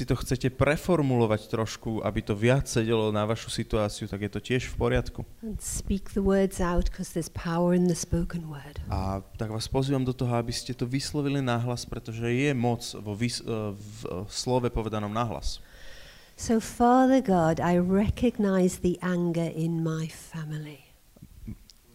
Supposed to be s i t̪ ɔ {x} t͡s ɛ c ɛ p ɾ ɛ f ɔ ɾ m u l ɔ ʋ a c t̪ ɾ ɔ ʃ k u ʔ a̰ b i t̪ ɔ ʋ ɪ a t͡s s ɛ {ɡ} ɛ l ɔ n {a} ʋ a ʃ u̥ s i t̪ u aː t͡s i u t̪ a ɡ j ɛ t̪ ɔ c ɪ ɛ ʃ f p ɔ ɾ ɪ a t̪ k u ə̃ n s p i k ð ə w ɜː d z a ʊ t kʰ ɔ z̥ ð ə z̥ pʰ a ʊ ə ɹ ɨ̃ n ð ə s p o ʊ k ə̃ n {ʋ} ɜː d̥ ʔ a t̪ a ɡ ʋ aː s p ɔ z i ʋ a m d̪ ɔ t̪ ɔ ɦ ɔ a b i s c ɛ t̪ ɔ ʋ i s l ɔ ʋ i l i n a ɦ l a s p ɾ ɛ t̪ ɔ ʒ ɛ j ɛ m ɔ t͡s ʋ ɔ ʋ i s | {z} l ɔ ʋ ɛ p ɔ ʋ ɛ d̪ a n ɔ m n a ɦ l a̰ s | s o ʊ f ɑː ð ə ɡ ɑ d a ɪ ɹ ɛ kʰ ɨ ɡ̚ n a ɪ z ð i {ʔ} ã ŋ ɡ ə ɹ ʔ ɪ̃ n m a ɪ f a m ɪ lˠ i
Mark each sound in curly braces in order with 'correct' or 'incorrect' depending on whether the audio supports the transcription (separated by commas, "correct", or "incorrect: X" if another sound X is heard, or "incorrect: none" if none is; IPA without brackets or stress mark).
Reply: correct, incorrect: ɟ, correct, incorrect: w, incorrect: s, correct